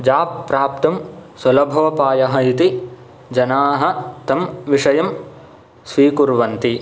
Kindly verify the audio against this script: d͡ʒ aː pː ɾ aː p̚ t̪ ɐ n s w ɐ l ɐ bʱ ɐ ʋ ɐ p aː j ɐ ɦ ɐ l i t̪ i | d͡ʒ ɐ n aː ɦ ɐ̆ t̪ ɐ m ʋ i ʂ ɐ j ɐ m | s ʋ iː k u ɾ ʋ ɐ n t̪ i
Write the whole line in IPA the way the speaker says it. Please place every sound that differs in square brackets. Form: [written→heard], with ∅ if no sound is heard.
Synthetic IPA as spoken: d͡ʒ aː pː ɾ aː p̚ t̪ ɐ [n→m] s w ɐ l ɐ bʱ ɐ ʋ ɐ p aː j ɐ ɦ ɐ [l→∅] i t̪ i | d͡ʒ ɐ n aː ɦ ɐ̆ t̪ ɐ m ʋ i ʂ ɐ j ɐ m | s ʋ iː k u ɾ ʋ ɐ n t̪ i